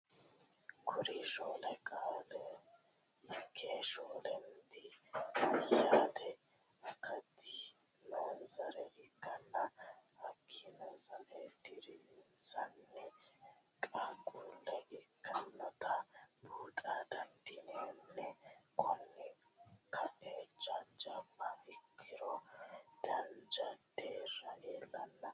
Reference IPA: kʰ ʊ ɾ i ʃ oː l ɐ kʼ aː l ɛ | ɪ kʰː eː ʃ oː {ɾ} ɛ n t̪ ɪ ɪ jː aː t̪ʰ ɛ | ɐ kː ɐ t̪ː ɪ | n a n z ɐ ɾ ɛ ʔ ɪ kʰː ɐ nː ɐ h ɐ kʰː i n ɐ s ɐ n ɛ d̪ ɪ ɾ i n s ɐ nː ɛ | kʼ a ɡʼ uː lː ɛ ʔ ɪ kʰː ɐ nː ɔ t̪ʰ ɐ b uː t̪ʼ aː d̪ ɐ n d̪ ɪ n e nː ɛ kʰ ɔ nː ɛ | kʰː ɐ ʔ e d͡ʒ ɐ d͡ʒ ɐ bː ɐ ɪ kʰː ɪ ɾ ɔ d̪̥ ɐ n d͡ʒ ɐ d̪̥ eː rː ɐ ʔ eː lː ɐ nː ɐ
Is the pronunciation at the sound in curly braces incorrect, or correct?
incorrect